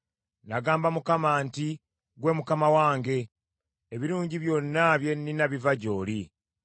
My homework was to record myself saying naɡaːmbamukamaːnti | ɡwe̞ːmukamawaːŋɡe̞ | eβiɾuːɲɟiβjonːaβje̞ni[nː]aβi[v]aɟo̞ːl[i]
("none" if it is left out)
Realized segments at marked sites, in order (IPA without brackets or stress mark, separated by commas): n, v, i